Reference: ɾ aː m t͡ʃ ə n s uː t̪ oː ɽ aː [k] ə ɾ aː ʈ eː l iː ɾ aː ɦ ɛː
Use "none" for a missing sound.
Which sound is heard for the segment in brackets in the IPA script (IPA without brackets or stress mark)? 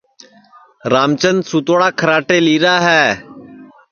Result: kʰ